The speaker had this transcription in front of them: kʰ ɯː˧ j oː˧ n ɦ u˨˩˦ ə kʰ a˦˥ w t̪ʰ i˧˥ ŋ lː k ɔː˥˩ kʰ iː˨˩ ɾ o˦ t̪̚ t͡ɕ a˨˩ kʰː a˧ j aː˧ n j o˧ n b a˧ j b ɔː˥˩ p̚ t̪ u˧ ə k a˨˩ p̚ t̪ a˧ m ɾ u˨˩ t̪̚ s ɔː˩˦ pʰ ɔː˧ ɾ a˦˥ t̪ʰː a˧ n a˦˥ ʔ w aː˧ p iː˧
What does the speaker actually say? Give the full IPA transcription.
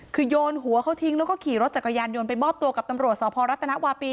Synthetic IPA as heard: kʰ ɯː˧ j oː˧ n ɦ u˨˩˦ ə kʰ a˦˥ w t̪ʰ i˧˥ ŋ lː k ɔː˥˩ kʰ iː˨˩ ɾ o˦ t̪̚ t͡ɕ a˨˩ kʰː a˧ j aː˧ n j o˧ n p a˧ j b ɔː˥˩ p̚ t̪ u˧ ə k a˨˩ p̚ t̪ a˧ m ɾ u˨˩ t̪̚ s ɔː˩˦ pʰ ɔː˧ ɾ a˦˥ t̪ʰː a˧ n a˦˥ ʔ w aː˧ p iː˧